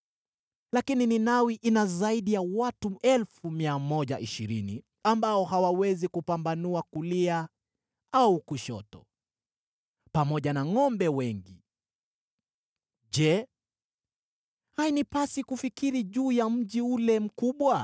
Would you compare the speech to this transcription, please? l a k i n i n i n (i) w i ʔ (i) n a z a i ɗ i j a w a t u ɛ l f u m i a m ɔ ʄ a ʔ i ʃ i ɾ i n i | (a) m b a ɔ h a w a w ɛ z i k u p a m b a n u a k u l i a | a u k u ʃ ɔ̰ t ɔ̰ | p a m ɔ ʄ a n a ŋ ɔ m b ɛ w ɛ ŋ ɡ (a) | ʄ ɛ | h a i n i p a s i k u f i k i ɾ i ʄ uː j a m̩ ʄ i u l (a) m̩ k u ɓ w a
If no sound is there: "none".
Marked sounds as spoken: a, i, a, i, ɛ

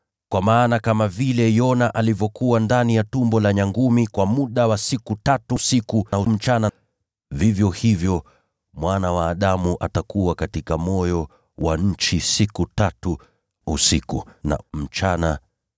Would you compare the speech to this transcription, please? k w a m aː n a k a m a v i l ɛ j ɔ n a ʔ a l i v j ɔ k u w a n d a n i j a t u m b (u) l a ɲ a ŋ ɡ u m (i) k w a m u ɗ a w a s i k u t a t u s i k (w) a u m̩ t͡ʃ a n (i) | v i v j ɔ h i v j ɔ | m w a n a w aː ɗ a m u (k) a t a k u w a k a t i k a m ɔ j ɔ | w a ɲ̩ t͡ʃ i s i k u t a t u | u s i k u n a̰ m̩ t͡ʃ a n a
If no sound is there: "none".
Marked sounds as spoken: ɔ, i, u, a, ʔ

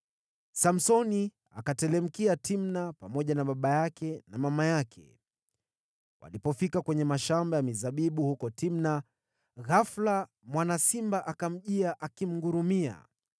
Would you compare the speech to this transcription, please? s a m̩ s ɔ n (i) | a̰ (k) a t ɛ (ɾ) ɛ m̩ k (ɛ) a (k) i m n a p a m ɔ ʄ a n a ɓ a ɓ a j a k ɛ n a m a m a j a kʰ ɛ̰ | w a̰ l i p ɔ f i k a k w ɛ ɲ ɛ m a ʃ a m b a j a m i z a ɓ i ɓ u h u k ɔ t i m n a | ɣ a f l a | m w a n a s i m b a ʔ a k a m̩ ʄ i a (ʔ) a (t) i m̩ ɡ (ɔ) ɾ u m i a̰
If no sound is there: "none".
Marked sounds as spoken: i, k, l, i, t, ʔ, k, u

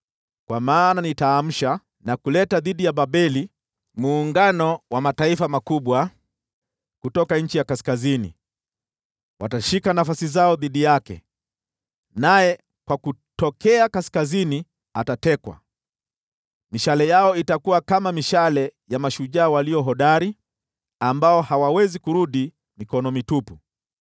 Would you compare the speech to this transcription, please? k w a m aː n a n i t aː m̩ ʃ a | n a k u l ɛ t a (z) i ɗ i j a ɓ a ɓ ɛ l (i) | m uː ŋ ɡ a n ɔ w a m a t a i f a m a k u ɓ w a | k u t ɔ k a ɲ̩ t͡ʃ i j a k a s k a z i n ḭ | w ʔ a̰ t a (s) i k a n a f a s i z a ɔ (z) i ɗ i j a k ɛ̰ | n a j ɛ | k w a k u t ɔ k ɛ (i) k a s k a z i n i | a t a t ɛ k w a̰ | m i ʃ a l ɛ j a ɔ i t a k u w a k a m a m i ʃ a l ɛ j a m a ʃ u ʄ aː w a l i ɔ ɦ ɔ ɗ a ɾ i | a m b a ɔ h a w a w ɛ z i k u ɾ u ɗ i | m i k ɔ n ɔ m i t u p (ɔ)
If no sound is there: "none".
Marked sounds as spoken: ð, i, ʃ, ð, a, u

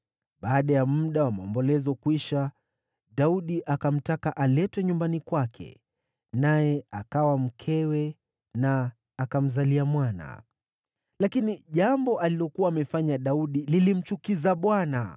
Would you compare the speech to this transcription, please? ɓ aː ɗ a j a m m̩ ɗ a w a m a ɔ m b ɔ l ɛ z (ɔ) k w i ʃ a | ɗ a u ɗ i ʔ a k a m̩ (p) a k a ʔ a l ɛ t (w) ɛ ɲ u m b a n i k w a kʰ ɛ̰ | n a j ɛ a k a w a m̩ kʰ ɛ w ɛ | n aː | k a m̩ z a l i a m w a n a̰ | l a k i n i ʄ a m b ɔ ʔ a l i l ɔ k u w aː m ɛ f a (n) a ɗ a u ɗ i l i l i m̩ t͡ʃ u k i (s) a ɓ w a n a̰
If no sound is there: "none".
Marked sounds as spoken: ɔ, t, w, ɲ, z

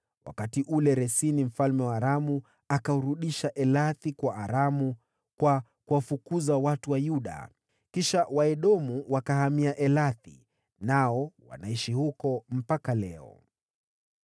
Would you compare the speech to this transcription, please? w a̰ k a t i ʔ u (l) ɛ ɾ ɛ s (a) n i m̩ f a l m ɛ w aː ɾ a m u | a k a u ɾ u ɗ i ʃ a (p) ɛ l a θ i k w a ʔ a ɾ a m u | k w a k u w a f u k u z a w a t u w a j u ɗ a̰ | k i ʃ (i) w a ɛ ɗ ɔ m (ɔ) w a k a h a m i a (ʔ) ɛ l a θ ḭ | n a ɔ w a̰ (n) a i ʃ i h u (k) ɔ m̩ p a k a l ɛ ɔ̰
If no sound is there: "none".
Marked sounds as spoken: l, i, ʔ, a, u, ʔ, n, k

